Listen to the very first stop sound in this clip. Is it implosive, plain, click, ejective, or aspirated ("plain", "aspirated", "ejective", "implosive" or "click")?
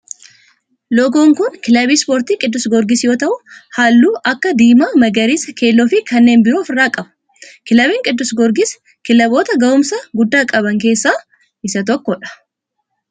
plain